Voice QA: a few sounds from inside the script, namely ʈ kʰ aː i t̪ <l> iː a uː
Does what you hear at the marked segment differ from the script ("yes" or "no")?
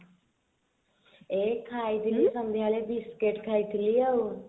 no